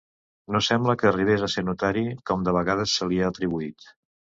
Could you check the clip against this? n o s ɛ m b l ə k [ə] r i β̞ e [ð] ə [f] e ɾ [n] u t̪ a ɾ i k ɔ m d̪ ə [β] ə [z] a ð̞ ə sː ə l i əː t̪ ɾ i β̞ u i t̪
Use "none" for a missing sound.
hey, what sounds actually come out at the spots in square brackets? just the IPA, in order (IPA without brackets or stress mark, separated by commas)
əː, z, s, n, β, ɣ